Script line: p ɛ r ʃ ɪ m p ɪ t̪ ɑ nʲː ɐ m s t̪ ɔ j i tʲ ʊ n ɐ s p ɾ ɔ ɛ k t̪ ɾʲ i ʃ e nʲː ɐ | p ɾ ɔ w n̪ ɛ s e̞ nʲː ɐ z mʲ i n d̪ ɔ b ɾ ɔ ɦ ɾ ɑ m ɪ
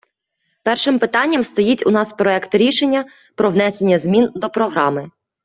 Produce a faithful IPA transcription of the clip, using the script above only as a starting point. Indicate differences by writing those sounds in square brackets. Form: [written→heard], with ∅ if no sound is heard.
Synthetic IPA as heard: p ɛ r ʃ ɪ m p ɪ t̪ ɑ nʲː ɐ m s t̪ ɔ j i tʲ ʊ n [ɐ→ɑ] s p ɾ ɔ ɛ k t̪ ɾʲ i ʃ e nʲː ɐ | p ɾ ɔ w n̪ ɛ s e̞ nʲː ɐ z mʲ i n d̪ ɔ [b→p] ɾ ɔ ɦ ɾ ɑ m ɪ